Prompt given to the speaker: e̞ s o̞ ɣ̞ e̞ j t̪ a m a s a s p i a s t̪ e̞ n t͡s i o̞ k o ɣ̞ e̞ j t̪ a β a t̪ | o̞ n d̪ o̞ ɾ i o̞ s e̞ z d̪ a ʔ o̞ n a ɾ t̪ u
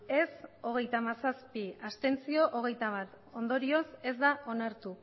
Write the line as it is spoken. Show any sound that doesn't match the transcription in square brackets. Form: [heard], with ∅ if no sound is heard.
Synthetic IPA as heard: e̞ s o̞ ɣ̞ e̞ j t̪ a m a s a s p i a s t̪ e̞ n t͡s i o̞ [ʔ] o ɣ̞ e̞ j t̪ a β a t̪ | o̞ n d̪ o̞ ɾ i o̞ s e̞ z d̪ a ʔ o̞ n a ɾ t̪ u